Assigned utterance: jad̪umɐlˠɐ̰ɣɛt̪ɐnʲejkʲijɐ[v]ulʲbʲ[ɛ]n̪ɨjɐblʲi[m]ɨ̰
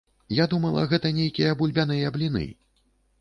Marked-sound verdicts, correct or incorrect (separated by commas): incorrect, incorrect, incorrect